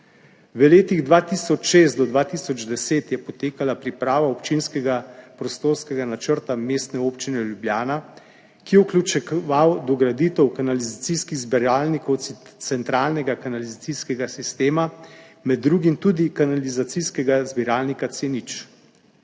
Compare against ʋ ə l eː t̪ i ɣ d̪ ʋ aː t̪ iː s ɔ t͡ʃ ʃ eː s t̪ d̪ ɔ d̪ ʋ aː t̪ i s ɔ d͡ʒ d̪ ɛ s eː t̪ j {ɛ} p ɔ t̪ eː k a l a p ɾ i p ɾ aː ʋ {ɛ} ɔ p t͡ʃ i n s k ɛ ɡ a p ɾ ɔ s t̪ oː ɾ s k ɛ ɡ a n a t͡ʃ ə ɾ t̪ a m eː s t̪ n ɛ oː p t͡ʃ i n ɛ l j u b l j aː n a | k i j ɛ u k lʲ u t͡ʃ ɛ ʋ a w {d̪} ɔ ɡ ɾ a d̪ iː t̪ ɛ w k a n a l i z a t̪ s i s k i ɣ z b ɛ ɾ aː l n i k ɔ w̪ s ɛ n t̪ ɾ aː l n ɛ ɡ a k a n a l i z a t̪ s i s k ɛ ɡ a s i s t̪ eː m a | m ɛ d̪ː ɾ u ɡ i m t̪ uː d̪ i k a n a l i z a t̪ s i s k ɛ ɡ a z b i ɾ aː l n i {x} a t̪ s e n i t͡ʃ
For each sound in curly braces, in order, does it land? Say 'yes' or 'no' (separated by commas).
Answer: yes, no, yes, no